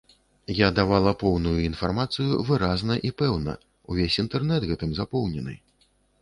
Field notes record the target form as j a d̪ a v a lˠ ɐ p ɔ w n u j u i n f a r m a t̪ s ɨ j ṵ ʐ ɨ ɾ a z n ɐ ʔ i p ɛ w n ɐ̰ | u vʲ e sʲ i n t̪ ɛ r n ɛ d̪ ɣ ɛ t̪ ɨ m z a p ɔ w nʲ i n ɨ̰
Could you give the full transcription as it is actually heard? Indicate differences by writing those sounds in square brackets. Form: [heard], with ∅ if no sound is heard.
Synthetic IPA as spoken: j a d̪ a v a lˠ ɐ p ɔ w n u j u i n f a r m a t̪ s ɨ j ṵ [v] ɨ ɾ a z n ɐ ʔ i p ɛ w n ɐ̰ | u vʲ e sʲ i n t̪ ɛ r n ɛ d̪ ɣ ɛ t̪ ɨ m z a p ɔ w nʲ [ɛ] n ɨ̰

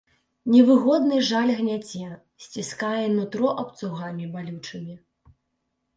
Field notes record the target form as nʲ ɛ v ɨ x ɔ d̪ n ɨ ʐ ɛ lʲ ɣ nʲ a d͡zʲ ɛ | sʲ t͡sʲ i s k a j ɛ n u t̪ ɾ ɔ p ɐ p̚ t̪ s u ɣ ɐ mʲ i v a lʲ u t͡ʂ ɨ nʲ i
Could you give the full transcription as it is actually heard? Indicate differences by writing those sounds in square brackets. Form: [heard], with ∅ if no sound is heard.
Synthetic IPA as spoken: nʲ ɛ v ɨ [ɣ] ɔ d̪ n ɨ ʐ [a] lʲ ɣ nʲ a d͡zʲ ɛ | sʲ t͡sʲ i s k a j ɛ n u t̪ ɾ ɔ [ʔ] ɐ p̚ t̪ s u ɣ [a] mʲ i [b] a lʲ u t͡ʂ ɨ [mʲ] i

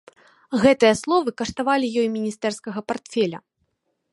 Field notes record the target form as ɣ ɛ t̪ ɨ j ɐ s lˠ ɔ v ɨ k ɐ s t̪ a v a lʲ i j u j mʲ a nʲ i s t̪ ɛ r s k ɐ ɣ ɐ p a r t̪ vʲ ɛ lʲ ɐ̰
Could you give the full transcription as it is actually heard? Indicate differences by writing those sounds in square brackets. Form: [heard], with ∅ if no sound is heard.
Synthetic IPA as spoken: ɣ ɛ t̪ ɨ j ɐ s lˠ ɔ v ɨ k ɐ [ʂ] t̪ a v a lʲ i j [ɔ] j mʲ [i] nʲ i s t̪ ɛ r s k ɐ ɣ ɐ p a r t̪ [fʲ] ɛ lʲ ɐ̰

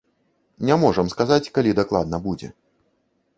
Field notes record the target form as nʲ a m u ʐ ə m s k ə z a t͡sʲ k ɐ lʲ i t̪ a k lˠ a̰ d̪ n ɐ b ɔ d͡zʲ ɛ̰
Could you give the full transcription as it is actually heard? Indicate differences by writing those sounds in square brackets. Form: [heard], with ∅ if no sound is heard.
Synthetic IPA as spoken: nʲ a m [ɔ] ʐ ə m s k [a] z a t͡sʲ k [a] lʲ i [d̪] a k lˠ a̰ d̪ n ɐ b [u] d͡zʲ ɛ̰

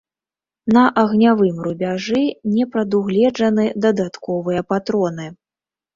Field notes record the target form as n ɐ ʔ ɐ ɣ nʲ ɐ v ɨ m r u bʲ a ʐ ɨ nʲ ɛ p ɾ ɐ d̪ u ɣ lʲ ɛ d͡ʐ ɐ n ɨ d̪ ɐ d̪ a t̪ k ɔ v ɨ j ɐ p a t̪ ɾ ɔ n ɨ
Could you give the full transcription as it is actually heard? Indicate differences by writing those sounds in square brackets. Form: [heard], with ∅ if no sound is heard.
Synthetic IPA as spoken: n ɐ ʔ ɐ ɣ nʲ [a] v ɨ m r u bʲ a ʐ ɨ nʲ ɛ p ɾ ɐ d̪ u ɣ lʲ ɛ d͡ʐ ɐ n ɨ d̪ ɐ d̪ a t̪ k ɔ v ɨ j ɐ p a t̪ ɾ ɔ n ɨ

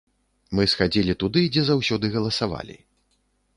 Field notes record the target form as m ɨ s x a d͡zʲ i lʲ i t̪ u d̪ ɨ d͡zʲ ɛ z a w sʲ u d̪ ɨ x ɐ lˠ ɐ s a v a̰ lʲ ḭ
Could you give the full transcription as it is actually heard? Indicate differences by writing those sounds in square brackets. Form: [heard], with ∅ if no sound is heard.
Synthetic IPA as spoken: m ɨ s x a d͡zʲ i lʲ i t̪ u d̪ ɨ d͡zʲ ɛ z a w sʲ [ɔ] d̪ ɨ [ɣ] ɐ lˠ ɐ s a v a̰ lʲ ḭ

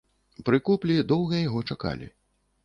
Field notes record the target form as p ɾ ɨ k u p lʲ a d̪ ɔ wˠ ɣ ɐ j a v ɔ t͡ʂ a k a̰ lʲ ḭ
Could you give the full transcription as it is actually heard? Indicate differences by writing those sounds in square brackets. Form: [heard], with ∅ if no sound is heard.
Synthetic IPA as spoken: p ɾ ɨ k u p lʲ [i] d̪ ɔ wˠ ɣ ɐ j a [ɣ] ɔ t͡ʂ a k a̰ lʲ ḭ

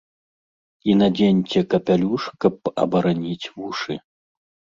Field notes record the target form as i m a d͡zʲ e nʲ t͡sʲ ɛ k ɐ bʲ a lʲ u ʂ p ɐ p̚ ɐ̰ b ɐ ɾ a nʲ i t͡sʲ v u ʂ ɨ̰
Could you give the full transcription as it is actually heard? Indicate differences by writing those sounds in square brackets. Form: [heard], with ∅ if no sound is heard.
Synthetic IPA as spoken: i [n] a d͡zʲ e nʲ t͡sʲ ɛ k ɐ [pʲ] a lʲ u ʂ [k] ɐ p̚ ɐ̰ b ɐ ɾ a nʲ i t͡sʲ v u ʂ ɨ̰

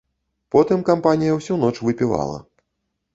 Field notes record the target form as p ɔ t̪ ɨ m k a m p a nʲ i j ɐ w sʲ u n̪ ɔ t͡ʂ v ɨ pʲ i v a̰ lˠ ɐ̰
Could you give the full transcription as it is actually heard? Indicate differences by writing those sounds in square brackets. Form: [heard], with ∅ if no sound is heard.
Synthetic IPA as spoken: p ɔ t̪ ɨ m k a m p a nʲ i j ɐ w sʲ u n̪ ɔ t͡ʂ v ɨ pʲ i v a̰ lˠ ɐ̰

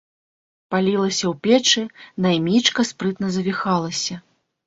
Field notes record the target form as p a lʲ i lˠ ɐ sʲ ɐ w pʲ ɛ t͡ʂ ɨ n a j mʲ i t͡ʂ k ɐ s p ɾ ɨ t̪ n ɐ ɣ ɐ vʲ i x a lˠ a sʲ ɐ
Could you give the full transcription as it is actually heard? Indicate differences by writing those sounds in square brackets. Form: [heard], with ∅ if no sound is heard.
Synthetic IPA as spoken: p a lʲ i lˠ ɐ sʲ ɐ w pʲ ɛ t͡ʂ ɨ n a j mʲ i t͡ʂ k ɐ s p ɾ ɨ t̪ n ɐ [z] ɐ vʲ i x a lˠ [ɐ] sʲ ɐ

